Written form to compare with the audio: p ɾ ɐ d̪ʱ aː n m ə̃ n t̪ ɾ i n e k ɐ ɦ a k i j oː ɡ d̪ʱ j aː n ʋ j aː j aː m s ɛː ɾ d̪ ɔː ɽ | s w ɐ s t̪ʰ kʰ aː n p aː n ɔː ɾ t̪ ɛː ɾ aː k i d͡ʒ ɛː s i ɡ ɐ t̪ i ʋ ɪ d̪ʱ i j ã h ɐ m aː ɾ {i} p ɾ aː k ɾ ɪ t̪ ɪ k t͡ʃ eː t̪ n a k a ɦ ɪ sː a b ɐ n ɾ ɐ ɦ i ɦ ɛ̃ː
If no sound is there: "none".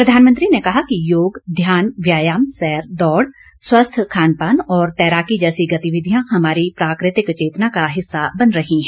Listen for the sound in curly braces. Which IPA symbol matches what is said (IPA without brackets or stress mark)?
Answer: i